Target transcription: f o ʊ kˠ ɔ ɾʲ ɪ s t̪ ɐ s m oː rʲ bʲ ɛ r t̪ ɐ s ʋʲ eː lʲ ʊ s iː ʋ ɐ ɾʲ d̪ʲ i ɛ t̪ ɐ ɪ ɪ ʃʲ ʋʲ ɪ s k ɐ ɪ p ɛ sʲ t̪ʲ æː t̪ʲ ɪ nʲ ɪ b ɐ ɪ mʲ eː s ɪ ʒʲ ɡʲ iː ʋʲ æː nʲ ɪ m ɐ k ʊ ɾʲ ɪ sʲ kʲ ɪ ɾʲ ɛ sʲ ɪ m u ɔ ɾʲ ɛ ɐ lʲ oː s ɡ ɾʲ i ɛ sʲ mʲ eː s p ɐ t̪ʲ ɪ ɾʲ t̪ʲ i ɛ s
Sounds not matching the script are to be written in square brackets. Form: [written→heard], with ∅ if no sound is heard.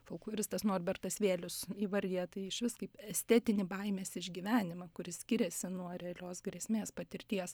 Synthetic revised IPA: f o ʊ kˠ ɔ ɾʲ ɪ s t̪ ɐ s [m→n] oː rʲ bʲ ɛ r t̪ ɐ s ʋʲ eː lʲ ʊ s iː ʋ ɐ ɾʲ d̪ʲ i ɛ t̪ ɐ ɪ ɪ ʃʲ ʋʲ ɪ s k ɐ ɪ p ɛ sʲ t̪ʲ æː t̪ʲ ɪ nʲ ɪ b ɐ ɪ mʲ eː s ɪ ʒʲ ɡʲ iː ʋʲ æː nʲ ɪ m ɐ k ʊ ɾʲ ɪ sʲ kʲ ɪ ɾʲ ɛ sʲ ɪ [m→n] u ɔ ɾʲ ɛ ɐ lʲ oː s ɡ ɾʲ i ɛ sʲ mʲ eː s p ɐ t̪ʲ ɪ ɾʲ t̪ʲ i ɛ s